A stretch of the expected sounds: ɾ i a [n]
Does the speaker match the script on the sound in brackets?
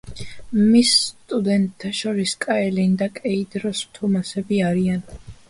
yes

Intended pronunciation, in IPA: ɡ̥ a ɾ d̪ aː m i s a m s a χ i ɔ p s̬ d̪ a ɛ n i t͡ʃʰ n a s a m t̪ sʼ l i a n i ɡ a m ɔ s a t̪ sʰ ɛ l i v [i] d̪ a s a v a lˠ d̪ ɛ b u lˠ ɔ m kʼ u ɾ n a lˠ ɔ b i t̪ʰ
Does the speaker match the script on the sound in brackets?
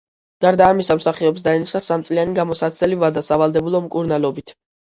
no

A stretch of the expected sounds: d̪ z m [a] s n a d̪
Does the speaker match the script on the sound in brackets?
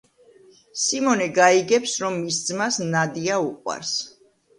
yes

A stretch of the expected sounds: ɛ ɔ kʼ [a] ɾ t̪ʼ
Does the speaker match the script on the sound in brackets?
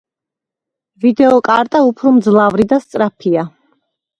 yes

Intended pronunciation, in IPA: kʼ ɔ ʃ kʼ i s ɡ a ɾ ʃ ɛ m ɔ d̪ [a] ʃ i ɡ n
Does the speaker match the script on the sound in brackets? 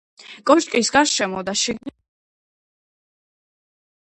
yes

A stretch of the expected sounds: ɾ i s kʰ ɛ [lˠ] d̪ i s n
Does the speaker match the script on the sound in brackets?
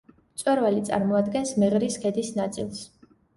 no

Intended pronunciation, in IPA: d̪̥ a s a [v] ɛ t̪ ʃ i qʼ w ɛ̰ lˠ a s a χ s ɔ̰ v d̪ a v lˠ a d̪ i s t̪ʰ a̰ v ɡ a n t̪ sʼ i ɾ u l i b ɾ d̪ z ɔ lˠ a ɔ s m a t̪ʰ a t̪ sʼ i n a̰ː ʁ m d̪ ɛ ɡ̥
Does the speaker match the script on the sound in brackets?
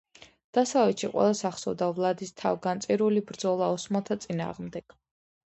yes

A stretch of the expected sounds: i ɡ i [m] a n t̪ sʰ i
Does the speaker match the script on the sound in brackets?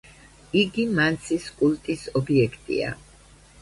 yes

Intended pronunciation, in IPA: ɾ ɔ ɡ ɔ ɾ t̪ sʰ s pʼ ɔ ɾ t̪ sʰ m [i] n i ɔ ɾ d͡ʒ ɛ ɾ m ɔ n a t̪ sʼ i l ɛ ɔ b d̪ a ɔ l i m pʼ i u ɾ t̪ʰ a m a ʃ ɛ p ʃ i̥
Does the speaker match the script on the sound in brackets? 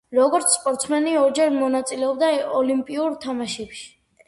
no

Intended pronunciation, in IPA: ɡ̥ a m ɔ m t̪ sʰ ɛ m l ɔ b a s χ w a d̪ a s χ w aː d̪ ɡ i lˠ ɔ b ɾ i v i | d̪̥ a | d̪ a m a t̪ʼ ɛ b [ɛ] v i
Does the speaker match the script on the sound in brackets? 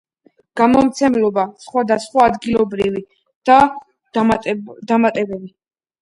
yes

